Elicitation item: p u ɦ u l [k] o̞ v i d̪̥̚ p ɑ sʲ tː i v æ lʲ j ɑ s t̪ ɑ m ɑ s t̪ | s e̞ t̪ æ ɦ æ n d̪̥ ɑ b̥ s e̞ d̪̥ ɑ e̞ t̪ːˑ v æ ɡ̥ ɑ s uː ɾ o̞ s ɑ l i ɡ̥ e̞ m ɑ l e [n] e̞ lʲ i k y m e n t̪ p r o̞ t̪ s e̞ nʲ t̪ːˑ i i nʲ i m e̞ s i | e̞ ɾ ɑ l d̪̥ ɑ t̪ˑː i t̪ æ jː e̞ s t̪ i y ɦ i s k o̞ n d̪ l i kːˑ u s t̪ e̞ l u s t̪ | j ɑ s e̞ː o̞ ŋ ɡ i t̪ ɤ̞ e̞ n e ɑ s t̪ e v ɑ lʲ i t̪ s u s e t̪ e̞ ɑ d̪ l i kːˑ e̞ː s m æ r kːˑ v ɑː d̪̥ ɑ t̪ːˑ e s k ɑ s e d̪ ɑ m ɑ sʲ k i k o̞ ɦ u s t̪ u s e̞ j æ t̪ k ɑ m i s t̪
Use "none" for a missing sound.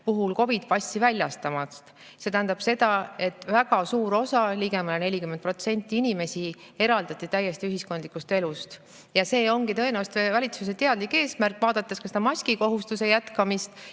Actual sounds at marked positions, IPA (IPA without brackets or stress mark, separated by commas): k, n